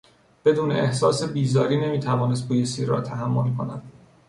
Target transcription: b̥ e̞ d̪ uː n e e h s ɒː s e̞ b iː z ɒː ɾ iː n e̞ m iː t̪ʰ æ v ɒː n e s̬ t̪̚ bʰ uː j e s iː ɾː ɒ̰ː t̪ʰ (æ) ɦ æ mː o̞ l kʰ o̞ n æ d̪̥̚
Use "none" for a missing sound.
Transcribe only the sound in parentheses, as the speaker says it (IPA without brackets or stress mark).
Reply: æ